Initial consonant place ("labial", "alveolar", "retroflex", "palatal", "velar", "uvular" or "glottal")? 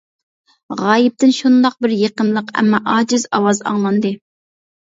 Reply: uvular